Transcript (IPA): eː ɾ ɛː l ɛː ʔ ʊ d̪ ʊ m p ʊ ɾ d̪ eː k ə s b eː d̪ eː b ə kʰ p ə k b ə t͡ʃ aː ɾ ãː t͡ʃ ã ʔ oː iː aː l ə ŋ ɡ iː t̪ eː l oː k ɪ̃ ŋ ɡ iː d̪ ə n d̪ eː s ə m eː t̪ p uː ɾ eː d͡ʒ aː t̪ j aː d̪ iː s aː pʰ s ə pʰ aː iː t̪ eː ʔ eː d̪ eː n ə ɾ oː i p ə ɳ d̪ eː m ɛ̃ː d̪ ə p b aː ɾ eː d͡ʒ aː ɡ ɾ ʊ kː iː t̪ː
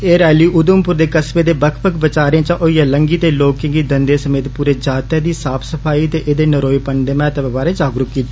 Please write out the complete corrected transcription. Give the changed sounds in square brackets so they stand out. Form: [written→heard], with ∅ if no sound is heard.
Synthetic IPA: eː ɾ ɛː l [ɛː→iː] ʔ ʊ d̪ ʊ m p ʊ ɾ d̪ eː k ə s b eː d̪ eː b ə kʰ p ə k b ə t͡ʃ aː ɾ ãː t͡ʃ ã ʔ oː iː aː l ə ŋ ɡ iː t̪ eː l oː k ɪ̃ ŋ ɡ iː d̪ ə n d̪ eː s ə m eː t̪ p uː ɾ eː d͡ʒ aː t̪ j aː d̪ iː s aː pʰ s ə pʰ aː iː t̪ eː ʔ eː d̪ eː n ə ɾ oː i p ə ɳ d̪ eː m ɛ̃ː [d̪→t̪] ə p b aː ɾ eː d͡ʒ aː ɡ ɾ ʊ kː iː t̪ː